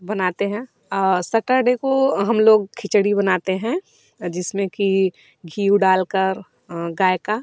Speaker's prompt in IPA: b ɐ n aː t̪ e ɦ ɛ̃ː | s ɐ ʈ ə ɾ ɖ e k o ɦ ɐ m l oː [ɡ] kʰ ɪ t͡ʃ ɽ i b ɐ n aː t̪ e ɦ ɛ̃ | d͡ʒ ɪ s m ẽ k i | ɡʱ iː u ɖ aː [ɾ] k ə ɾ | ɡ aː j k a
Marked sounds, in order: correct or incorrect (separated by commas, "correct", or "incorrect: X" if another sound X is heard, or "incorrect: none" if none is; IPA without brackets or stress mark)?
correct, incorrect: l